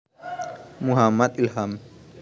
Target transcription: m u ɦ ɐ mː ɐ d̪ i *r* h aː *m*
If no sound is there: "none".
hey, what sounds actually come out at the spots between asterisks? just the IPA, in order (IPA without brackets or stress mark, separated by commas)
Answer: l, m